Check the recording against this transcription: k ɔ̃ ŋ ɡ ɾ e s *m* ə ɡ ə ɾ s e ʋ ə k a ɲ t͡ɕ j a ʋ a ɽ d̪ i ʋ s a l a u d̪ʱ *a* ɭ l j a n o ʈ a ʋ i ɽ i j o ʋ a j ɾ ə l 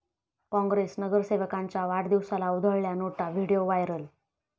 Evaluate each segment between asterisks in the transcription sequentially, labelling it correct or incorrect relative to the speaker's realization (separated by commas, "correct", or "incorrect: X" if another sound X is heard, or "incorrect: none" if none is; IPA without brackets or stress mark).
incorrect: n, incorrect: ə